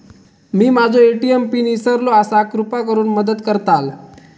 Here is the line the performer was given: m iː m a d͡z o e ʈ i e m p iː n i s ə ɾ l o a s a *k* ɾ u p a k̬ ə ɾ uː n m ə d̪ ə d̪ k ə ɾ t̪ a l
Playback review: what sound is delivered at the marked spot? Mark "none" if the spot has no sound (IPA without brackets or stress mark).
k